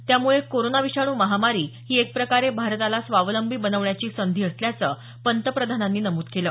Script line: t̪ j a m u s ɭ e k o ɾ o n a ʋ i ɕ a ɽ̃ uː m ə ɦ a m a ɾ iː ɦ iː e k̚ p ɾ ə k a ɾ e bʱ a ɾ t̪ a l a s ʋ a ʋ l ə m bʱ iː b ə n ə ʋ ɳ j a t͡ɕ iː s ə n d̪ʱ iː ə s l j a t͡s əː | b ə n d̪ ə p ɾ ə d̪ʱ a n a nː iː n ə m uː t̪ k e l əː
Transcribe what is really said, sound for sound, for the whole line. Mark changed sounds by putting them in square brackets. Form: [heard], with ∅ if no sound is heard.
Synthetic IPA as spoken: t̪ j a m u [∅] ɭ e k o ɾ o n a ʋ i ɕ a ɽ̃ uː m ə ɦ a m a ɾ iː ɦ iː e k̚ p ɾ ə k a ɾ e bʱ a ɾ t̪ a l a s ʋ a ʋ l ə m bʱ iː b ə n ə ʋ ɳ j a t͡ɕ iː s ə n d̪ʱ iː ə s l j a t͡s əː | [p] ə n [t̪] ə p ɾ ə d̪ʱ a n a nː iː n ə m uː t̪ k e l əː